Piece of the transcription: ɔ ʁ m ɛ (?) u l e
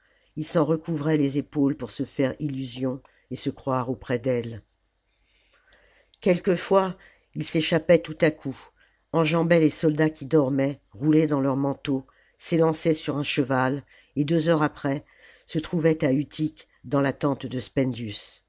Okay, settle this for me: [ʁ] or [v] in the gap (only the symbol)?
ʁ